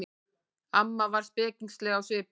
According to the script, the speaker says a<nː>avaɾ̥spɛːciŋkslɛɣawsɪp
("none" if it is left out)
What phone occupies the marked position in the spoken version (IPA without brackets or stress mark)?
mː